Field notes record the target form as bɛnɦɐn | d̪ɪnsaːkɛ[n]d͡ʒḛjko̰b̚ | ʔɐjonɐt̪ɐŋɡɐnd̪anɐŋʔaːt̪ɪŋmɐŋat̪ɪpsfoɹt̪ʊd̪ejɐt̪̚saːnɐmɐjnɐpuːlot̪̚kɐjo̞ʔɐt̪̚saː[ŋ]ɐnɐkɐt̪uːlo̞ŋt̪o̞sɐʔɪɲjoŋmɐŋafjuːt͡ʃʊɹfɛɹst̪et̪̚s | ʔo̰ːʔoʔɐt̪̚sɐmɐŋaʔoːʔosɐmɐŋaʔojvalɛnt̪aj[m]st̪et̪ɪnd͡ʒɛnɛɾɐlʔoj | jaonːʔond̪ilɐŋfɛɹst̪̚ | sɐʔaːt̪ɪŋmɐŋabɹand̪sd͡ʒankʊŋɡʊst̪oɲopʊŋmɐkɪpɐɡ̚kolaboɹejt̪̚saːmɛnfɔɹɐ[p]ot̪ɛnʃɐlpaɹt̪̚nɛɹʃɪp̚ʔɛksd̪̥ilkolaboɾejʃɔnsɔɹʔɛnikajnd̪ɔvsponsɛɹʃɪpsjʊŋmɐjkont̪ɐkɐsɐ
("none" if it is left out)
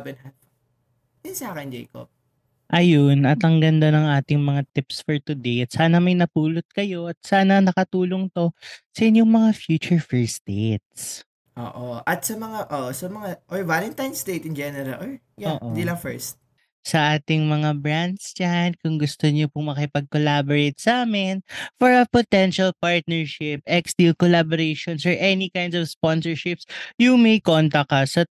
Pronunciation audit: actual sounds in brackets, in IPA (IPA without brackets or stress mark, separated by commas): n, n, n, p